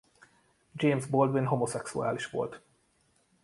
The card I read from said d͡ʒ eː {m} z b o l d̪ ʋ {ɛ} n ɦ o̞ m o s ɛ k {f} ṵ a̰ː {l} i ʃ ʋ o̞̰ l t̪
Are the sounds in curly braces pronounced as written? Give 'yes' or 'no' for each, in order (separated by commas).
yes, no, no, yes